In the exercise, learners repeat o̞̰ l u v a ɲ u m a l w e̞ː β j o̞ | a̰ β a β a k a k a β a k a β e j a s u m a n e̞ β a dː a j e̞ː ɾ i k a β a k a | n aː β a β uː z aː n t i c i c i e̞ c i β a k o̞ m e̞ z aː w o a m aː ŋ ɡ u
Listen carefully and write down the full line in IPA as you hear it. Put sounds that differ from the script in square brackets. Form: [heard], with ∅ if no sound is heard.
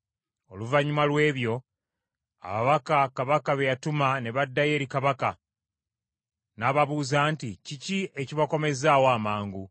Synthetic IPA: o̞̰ l u v a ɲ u m a l w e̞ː β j o̞ | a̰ β a β a k a k a β a k a β e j a [t] u m a n e̞ β a dː a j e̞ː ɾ i k a β a k a | n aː β a β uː z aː n t i c i c i e̞ c i β a k o̞ m e̞ z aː w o a m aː ŋ ɡ u